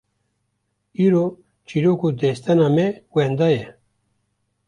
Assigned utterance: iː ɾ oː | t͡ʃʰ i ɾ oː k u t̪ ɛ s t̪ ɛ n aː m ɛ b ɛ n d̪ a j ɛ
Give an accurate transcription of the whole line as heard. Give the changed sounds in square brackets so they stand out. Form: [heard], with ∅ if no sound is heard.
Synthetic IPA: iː ɾ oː | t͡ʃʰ i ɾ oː k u [d̪] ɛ s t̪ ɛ n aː m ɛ [w] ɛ n d̪ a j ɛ